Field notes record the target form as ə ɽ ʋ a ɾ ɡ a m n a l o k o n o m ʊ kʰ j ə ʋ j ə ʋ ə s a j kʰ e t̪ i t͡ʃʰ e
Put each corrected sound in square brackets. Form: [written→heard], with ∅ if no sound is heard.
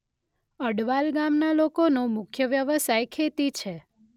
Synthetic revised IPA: ə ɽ ʋ a [ɾ→l] ɡ a m n a l o k o n o m ʊ kʰ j ə ʋ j ə ʋ ə s a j kʰ e t̪ i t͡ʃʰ e